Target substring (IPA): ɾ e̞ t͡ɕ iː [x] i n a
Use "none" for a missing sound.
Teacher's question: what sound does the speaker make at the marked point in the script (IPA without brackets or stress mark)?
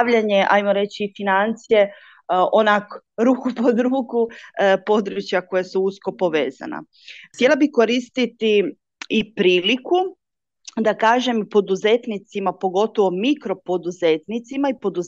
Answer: f